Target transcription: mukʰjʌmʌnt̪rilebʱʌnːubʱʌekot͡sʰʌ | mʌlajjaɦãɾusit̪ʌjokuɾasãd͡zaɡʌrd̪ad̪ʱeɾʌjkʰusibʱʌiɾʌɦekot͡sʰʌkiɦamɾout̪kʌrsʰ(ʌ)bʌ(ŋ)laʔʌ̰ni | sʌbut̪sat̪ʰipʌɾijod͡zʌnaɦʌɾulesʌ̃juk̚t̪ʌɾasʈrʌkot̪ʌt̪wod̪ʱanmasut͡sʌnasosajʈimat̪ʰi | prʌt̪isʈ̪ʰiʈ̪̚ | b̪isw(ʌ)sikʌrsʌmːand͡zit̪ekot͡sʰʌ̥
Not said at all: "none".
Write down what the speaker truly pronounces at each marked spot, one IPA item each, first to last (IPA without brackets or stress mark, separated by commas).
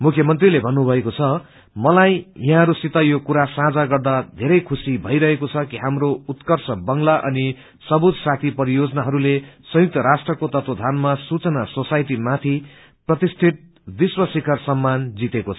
ʌ, ŋ, ʌ